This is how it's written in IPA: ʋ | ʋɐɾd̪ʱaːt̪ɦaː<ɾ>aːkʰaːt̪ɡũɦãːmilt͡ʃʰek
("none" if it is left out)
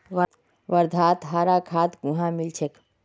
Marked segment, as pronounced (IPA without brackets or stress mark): ɾ